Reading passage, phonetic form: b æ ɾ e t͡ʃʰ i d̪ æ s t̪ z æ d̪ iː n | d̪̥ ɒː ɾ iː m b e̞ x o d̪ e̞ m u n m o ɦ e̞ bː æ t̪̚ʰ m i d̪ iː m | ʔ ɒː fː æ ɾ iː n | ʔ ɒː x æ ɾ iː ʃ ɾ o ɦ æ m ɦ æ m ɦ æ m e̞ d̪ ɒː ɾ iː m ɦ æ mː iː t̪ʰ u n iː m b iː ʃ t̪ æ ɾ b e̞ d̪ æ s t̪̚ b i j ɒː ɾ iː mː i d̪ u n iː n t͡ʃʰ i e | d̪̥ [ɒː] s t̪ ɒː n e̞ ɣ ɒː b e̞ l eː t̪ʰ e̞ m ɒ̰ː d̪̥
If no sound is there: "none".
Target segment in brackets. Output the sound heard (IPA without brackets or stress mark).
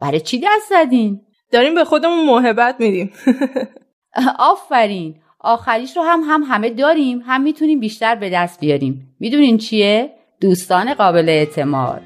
uː